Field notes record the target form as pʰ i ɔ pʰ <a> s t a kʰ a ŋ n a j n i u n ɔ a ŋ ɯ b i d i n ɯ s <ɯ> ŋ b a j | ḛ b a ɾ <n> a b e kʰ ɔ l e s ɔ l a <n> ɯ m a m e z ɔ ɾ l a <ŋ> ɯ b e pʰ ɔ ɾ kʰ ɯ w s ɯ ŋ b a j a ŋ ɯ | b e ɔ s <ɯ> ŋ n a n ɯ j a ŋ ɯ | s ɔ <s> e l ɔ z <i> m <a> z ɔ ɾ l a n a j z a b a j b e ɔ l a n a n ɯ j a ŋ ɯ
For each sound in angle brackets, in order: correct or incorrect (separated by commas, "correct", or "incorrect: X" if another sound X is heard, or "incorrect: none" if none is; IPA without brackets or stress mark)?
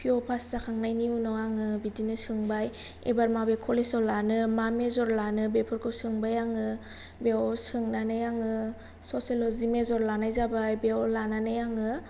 correct, correct, incorrect: m, correct, incorrect: n, correct, correct, correct, incorrect: e